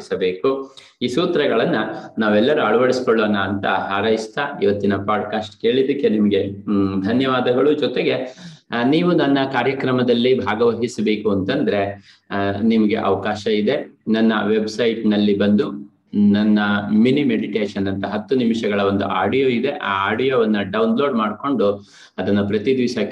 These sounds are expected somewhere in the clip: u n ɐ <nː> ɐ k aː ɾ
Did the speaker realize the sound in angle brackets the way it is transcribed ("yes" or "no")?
yes